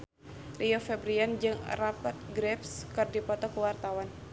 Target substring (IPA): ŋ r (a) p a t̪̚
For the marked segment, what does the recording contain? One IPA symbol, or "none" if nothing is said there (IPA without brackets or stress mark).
a